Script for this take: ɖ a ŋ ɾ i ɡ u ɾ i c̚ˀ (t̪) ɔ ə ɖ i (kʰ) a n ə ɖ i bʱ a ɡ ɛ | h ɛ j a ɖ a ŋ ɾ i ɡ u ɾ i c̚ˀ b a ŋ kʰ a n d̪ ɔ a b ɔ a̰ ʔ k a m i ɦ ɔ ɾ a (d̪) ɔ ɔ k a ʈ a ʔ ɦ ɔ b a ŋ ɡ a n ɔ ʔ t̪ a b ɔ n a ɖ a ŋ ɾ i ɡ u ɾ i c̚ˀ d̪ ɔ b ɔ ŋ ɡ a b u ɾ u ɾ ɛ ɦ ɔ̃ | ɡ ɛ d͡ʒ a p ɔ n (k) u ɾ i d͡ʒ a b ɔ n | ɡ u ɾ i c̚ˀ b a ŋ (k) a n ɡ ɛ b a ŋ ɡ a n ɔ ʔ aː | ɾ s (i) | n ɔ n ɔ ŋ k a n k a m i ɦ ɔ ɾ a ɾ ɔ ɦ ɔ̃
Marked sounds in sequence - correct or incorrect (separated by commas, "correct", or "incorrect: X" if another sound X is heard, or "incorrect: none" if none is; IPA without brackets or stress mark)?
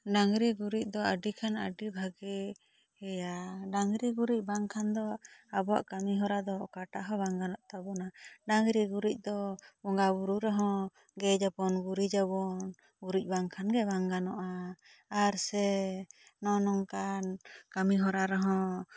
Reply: incorrect: d̪, correct, correct, incorrect: ɡ, incorrect: kʰ, incorrect: ɛ